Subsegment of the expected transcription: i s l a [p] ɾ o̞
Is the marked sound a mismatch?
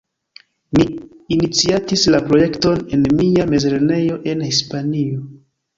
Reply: no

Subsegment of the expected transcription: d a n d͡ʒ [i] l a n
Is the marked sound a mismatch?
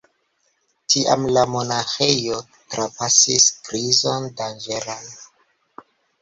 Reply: yes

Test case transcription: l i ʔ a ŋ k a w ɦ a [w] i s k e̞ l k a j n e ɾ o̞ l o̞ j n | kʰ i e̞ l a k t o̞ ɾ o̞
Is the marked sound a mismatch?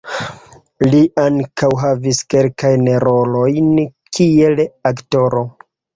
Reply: yes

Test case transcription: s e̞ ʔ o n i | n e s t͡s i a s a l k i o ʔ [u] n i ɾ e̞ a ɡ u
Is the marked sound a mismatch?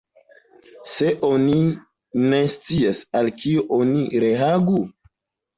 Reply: yes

